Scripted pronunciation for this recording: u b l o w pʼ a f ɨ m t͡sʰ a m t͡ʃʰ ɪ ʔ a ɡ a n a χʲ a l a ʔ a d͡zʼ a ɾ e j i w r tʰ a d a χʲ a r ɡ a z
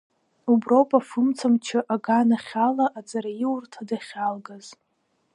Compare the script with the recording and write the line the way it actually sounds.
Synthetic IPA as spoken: u b r o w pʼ a f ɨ m t͡sʰ a m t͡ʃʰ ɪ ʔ a ɡ a n a χʲ a l a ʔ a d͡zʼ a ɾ a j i w r tʰ a d a χʲ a l ɡ a z